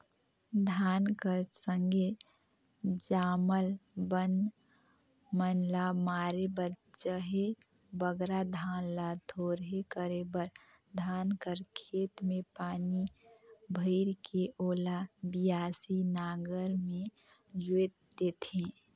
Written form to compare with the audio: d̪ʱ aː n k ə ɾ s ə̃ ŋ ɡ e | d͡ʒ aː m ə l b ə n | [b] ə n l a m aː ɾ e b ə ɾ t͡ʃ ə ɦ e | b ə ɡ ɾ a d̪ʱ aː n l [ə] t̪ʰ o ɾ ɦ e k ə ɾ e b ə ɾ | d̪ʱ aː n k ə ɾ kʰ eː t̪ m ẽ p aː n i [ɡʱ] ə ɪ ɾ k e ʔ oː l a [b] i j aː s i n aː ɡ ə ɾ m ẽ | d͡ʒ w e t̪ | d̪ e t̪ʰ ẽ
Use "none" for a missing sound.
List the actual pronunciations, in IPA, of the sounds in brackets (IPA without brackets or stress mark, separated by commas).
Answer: m, a, bʱ, b